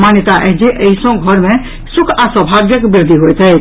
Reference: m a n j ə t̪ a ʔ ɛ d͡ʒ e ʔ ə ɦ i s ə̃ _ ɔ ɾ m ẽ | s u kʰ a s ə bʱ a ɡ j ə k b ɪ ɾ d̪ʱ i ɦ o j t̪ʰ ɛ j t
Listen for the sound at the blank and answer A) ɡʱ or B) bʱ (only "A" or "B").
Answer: A